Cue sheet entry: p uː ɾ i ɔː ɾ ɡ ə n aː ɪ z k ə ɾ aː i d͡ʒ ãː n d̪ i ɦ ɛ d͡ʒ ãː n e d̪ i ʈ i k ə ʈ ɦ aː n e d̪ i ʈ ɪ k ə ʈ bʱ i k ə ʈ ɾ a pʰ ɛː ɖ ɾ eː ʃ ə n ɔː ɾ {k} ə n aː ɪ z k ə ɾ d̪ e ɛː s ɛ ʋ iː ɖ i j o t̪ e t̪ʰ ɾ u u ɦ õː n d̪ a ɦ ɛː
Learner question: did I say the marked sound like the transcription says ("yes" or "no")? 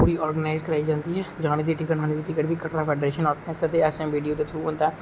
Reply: no